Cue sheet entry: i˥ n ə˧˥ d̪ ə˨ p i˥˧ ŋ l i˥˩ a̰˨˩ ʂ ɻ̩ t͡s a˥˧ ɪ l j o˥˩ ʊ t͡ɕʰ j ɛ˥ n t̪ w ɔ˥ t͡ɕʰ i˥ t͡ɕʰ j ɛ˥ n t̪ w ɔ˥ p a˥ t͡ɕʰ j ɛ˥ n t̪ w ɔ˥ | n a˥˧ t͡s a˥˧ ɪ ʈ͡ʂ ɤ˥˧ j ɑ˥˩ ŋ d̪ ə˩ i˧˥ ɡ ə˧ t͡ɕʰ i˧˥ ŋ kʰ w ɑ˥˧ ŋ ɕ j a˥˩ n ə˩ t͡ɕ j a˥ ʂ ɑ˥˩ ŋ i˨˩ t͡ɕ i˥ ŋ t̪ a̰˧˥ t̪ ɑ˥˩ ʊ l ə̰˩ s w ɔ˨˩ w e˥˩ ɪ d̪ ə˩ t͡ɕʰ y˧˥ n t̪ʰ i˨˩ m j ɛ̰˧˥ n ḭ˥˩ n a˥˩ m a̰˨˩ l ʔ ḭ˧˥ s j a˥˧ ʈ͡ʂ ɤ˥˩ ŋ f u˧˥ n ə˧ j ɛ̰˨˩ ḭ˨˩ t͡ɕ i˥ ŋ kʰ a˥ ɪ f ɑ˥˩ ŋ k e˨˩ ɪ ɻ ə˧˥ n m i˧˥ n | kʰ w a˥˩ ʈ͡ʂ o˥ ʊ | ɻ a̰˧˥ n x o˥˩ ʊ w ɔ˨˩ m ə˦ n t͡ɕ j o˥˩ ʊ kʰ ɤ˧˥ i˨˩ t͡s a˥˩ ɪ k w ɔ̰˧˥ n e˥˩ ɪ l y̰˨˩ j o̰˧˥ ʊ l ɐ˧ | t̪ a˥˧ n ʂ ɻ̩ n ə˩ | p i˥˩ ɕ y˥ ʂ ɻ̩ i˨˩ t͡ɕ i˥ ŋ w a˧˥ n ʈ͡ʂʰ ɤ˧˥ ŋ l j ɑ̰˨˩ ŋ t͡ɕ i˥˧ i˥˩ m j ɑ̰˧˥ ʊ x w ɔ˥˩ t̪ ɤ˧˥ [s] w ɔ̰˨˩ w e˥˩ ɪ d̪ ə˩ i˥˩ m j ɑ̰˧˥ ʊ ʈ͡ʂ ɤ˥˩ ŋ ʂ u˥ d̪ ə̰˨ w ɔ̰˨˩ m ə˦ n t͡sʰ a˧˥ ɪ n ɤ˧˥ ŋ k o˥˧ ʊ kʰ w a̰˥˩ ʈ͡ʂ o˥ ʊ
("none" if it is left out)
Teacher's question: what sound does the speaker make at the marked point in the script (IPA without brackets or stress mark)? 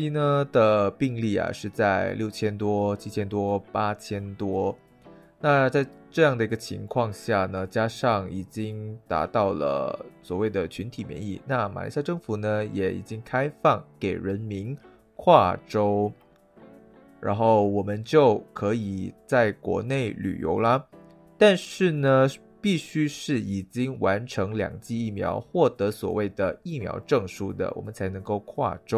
s